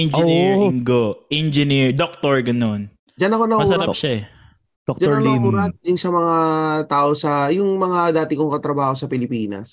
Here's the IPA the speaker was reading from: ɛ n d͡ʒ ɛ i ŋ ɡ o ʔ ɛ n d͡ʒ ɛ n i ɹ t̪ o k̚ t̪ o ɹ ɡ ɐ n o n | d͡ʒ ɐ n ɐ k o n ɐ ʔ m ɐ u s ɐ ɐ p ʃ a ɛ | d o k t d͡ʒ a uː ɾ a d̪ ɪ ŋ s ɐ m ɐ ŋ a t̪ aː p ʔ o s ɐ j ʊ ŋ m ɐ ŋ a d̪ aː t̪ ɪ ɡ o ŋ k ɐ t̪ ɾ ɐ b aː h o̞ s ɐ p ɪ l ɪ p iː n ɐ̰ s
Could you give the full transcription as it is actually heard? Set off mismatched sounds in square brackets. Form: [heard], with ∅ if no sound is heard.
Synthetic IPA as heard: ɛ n d͡ʒ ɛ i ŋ ɡ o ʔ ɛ n d͡ʒ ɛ n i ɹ [d̪] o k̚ t̪ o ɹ ɡ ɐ n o n | d͡ʒ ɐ n ɐ k o n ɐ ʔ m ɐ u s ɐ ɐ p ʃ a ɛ | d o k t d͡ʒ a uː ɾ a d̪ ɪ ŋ s ɐ m ɐ ŋ a t̪ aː [∅] ʔ o s ɐ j ʊ ŋ m ɐ ŋ a d̪ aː t̪ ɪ [k] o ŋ k ɐ t̪ ɾ ɐ b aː h o̞ s ɐ p ɪ l ɪ p iː n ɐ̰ s